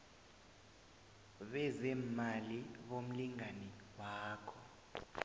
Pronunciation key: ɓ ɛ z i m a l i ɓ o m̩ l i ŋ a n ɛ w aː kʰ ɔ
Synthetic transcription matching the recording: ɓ ɛ z ɛ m a l i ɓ o m̩ l i ŋ a n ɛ w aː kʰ ɔ